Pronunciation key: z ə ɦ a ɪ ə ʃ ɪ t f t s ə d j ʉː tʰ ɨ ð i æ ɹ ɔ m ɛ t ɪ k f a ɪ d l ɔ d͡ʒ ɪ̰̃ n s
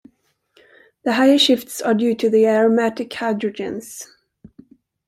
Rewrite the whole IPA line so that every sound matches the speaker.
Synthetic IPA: ð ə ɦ a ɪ ə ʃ ɪ f t s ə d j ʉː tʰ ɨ ð i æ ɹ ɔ m æ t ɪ k h a ɪ d ɹ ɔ d͡ʒ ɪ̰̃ n s